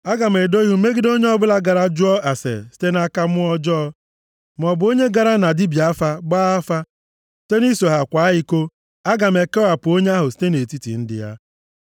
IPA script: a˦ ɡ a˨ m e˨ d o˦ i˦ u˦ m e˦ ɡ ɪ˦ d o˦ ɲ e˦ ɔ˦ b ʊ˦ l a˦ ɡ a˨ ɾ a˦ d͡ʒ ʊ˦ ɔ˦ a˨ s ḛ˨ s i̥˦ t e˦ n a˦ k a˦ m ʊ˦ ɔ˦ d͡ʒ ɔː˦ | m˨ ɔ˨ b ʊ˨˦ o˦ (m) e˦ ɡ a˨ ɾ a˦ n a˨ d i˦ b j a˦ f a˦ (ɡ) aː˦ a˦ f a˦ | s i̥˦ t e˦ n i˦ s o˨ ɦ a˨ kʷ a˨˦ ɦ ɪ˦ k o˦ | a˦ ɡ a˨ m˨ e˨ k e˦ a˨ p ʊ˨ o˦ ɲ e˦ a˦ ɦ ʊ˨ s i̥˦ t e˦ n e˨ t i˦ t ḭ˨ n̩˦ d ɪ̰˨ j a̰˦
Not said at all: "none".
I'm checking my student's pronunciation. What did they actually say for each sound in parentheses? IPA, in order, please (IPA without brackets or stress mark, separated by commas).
ɲ, ɡ͡b